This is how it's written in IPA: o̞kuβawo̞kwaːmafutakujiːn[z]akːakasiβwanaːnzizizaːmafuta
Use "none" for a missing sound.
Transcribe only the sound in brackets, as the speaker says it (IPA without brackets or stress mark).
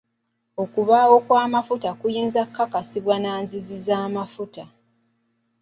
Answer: z